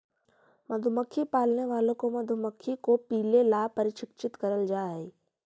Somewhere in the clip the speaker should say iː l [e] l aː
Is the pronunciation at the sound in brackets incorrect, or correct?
correct